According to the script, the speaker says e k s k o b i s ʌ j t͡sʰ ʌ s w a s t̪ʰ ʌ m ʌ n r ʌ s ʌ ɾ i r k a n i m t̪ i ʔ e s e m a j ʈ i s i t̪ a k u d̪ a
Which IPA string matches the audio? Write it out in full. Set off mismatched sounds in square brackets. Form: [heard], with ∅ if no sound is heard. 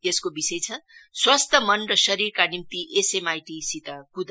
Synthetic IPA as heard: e [∅] s k o b i s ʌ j t͡sʰ ʌ s w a s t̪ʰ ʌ m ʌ n r ʌ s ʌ ɾ i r k a n i m t̪ i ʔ e s e m a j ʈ i s i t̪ a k u d̪ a